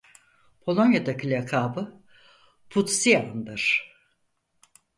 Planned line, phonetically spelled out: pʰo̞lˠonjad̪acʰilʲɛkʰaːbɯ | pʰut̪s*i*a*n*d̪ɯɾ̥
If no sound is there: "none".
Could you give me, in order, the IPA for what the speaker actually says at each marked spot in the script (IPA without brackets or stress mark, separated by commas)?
i, n